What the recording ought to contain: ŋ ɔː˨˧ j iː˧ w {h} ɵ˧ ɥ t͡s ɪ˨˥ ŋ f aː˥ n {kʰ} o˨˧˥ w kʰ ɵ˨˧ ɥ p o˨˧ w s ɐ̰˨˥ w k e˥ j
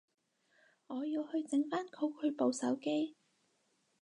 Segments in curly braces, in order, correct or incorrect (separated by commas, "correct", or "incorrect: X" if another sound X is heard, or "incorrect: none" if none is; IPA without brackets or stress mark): correct, correct